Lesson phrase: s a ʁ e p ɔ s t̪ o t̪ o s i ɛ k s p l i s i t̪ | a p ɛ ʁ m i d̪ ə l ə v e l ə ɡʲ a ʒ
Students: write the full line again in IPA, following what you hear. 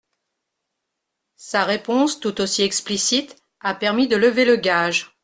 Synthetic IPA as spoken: s a ʁ e p ɔ̃ s t̪ u t̪ o s i ɛ k s p l i s i t̪ | a p ɛ ʁ m i d̪ ə l ə v e l ə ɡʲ a ʒ